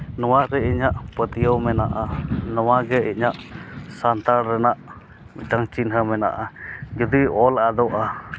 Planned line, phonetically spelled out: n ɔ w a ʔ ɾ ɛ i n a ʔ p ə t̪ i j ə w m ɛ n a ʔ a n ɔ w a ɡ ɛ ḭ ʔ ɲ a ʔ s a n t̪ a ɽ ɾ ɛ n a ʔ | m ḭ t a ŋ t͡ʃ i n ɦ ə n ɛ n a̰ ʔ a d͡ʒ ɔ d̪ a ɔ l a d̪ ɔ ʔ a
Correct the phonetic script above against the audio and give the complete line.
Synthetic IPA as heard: n ɔ w a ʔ ɾ ɛ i ɲ a ʔ p ə t̪ i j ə w m ɛ n a ʔ a n ɔ w a ɡ ɛ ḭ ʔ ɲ a ʔ s a n t̪ a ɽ ɾ ɛ n a ʔ | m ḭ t a ŋ t͡ʃ i n ɦ ə m ɛ n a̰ ʔ a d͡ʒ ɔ d̪ i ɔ l a d̪ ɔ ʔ a